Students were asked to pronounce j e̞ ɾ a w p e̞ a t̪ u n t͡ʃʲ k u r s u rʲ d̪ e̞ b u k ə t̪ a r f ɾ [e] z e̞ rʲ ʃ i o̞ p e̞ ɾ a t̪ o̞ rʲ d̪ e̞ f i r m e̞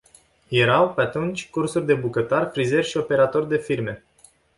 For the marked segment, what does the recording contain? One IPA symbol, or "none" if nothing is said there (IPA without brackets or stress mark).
i